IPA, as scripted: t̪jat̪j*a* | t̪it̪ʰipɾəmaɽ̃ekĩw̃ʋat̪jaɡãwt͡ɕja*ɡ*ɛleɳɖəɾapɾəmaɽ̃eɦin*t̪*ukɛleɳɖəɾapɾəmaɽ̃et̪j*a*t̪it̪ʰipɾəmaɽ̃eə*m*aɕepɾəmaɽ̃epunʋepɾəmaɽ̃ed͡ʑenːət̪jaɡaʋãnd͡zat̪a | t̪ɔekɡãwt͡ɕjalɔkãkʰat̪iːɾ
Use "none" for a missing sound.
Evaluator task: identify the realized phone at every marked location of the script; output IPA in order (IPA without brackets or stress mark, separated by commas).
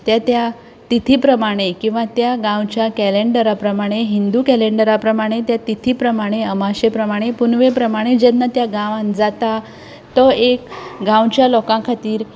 a, k, d̪, a, m